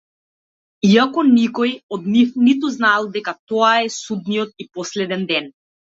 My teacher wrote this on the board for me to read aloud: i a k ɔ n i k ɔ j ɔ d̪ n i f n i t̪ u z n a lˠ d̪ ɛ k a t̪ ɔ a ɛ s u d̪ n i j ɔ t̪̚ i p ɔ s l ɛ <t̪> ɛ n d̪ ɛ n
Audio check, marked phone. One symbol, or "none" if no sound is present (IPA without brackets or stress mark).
d̪